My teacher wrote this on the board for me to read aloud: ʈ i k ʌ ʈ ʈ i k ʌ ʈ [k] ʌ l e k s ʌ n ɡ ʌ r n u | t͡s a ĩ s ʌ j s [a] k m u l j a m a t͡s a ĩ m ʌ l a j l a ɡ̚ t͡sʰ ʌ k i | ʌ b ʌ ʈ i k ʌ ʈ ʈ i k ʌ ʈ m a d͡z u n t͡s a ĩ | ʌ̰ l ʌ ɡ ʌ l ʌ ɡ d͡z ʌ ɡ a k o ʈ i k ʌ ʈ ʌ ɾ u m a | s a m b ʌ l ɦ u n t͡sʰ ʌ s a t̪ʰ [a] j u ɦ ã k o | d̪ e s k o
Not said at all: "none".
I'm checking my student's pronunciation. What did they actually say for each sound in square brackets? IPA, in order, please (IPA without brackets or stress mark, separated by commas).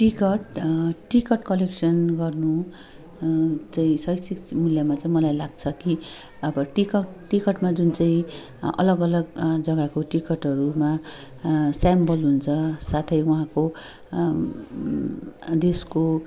k, i, ʌ